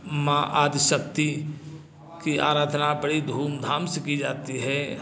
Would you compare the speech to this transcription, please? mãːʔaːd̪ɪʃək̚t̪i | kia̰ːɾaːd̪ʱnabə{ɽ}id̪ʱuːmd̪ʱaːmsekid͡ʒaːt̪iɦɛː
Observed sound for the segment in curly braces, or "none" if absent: ɽ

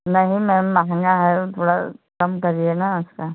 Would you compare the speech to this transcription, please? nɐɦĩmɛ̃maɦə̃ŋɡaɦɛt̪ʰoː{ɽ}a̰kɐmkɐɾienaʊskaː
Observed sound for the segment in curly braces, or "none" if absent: ɽ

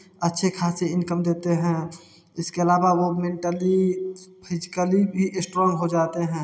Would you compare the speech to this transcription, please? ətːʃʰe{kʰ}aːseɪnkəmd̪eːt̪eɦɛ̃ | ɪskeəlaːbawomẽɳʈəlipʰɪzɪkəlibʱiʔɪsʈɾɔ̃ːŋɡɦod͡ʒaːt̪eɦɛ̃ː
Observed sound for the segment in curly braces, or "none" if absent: kʰ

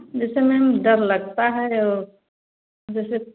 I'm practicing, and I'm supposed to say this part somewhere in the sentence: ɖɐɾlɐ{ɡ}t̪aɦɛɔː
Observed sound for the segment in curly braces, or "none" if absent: ɡ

